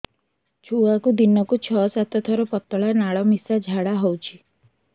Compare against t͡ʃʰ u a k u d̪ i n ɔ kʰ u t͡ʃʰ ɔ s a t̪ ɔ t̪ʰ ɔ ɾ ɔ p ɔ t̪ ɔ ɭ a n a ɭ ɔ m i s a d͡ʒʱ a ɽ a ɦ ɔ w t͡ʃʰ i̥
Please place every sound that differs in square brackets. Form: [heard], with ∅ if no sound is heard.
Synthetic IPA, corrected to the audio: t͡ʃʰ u a k u d̪ i n ɔ [k] u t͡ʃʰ ɔ s a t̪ ɔ t̪ʰ ɔ ɾ ɔ p ɔ t̪ ɔ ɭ a n a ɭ ɔ m i s a d͡ʒʱ a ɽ a ɦ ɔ w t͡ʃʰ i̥